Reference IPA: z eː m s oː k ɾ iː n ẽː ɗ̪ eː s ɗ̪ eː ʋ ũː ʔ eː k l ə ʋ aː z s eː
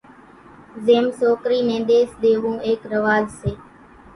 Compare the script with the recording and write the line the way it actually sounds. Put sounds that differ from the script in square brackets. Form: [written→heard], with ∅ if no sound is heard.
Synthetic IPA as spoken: z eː m s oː k ɾ iː n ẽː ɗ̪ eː s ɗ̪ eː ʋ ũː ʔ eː k [l→ɾ] ə ʋ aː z s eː